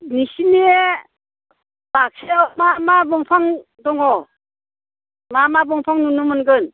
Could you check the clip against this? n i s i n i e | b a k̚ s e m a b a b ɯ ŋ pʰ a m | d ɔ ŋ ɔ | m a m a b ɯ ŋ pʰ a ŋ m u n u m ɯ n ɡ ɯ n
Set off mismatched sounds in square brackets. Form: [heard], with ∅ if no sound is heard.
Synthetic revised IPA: n i s i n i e | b a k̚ s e m a [m] a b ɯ ŋ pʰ a [ŋ] | d ɔ ŋ ɔ | m a m a b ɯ ŋ pʰ a ŋ [n] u n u m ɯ n ɡ ɯ n